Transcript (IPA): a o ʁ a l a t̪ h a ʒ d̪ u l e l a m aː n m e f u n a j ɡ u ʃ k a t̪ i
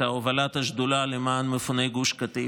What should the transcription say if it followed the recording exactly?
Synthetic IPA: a o v a l a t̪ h a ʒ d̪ u l a l e m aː n m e f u n e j ɡ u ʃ k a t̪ i